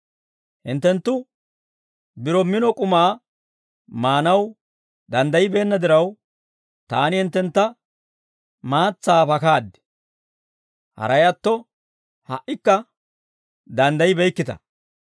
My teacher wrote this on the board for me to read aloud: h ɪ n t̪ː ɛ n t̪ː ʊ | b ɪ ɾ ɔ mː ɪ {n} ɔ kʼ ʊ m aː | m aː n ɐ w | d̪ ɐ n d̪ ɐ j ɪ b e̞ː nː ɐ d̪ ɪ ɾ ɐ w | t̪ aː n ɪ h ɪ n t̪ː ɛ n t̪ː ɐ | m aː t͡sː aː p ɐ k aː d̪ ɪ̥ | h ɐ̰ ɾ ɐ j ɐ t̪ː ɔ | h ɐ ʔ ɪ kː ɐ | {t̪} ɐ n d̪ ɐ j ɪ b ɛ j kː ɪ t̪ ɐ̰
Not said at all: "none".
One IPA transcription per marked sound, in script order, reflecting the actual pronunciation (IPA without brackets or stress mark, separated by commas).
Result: n, d̪